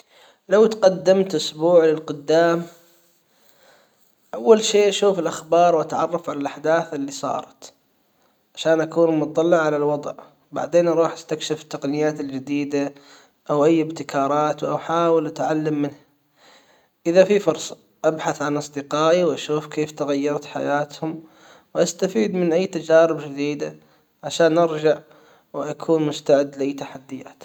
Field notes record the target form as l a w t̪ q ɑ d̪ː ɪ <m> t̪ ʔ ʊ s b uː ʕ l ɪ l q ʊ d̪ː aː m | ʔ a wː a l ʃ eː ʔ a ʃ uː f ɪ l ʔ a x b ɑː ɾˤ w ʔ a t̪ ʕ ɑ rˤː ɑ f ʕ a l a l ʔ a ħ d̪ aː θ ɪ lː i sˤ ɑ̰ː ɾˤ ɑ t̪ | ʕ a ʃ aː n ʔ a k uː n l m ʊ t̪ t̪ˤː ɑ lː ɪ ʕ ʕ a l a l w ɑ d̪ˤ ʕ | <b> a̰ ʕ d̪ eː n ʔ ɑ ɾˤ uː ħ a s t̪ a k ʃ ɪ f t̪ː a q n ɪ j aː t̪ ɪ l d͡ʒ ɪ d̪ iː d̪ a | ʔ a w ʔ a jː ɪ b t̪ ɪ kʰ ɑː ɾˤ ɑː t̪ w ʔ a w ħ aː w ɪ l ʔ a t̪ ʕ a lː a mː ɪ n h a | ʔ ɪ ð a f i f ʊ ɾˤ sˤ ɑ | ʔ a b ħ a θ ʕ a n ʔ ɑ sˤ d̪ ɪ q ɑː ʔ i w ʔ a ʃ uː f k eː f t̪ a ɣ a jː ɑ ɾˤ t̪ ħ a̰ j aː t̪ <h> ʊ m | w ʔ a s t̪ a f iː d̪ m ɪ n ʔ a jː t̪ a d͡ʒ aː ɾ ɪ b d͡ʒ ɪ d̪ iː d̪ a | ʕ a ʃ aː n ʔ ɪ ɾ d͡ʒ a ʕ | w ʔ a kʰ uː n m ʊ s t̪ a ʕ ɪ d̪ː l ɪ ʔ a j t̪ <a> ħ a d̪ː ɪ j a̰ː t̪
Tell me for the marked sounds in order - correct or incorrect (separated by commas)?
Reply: correct, correct, correct, correct